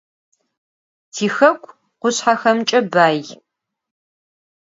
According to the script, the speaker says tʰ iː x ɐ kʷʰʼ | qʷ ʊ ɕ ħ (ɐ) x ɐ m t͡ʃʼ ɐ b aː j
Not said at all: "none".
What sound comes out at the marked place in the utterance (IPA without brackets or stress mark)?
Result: a